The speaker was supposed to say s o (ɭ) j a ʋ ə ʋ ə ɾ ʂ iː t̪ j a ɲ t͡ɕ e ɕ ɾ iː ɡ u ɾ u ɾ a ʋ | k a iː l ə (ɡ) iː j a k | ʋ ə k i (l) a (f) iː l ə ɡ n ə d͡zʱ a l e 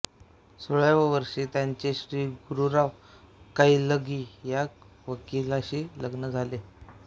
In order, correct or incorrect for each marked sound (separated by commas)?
correct, correct, correct, incorrect